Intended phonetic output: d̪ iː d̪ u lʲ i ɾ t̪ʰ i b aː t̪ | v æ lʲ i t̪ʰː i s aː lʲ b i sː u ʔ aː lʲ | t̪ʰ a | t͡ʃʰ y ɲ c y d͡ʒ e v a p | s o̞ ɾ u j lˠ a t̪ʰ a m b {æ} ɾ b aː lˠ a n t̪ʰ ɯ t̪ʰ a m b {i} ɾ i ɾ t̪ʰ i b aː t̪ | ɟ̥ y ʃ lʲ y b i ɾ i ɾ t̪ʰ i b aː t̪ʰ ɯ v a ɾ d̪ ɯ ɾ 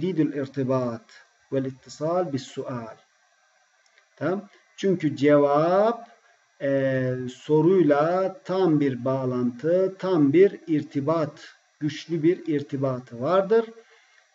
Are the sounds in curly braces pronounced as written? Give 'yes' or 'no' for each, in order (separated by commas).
no, yes